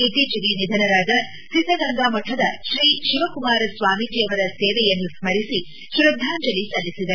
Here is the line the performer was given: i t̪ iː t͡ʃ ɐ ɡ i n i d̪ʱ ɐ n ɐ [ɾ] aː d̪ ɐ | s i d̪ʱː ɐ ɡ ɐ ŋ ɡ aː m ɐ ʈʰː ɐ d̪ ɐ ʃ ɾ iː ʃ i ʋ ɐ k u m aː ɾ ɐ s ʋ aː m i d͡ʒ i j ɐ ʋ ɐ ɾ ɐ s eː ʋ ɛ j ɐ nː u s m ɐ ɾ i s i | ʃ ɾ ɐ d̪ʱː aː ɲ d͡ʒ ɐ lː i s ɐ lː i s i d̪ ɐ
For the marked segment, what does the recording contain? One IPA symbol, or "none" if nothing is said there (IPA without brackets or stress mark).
ɾ